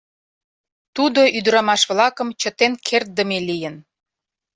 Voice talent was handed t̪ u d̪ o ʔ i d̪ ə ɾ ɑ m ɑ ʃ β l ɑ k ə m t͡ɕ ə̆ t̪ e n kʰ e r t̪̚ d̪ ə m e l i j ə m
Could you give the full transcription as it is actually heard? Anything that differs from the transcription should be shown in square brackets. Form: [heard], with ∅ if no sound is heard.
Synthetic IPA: t̪ u d̪ o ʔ [y] d̪ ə ɾ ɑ m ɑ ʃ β l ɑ k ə m t͡ɕ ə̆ t̪ e n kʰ e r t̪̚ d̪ ə m e l i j ə [n]